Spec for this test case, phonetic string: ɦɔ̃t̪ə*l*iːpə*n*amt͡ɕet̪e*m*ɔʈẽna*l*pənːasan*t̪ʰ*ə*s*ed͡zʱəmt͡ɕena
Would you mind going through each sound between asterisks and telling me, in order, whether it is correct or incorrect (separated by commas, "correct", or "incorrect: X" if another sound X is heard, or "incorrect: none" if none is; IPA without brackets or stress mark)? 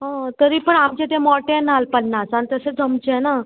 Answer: incorrect: ɾ, incorrect: ɳ, correct, correct, incorrect: t̪, correct